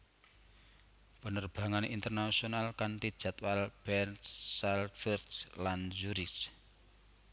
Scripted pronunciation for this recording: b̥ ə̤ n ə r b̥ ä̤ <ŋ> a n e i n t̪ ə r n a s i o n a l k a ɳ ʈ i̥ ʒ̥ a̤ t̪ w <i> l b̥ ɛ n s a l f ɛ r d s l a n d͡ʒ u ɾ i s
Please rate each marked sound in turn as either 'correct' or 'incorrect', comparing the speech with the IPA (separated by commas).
correct, incorrect